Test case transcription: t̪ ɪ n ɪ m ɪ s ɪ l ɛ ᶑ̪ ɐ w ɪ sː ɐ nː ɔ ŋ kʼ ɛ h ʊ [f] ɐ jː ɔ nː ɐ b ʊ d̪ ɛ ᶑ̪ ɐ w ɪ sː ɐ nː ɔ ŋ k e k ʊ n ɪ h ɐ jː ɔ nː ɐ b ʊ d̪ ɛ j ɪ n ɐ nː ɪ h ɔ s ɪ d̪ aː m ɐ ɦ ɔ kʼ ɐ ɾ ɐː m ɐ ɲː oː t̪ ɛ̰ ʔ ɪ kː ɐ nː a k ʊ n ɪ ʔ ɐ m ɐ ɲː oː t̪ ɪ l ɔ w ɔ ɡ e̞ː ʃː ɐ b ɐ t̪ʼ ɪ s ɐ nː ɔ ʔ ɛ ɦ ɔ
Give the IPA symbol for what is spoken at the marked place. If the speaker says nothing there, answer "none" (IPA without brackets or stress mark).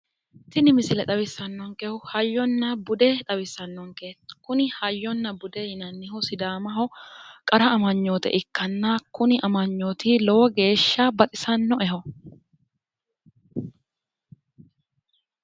h